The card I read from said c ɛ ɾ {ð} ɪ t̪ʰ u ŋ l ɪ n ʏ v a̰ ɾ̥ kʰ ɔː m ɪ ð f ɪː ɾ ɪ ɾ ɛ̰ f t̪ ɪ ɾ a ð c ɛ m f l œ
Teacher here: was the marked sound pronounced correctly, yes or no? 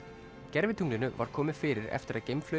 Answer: no